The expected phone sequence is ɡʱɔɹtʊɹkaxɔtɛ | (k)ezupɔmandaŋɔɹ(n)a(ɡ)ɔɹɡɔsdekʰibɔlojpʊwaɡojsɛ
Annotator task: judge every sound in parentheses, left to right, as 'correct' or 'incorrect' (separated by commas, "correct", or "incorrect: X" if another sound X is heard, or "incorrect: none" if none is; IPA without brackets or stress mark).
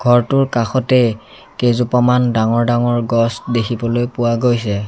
correct, incorrect: d, incorrect: ŋ